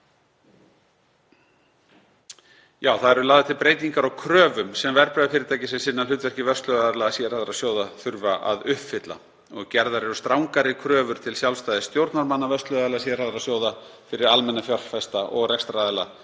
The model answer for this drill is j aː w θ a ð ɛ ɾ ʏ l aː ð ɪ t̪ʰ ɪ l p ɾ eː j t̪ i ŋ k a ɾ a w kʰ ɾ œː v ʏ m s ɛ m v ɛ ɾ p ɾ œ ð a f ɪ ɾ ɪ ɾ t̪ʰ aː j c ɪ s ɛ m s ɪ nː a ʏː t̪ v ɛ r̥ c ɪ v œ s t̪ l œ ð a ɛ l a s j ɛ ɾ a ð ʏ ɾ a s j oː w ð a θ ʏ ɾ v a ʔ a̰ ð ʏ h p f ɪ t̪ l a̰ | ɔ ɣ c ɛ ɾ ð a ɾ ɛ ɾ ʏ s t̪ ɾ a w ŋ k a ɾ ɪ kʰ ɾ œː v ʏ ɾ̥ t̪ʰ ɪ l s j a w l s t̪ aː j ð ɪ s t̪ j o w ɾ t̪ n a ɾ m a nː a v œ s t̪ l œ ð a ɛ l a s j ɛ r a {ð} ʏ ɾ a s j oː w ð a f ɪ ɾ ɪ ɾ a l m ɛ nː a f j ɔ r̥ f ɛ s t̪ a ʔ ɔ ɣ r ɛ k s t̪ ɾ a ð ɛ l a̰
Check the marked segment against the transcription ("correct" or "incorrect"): correct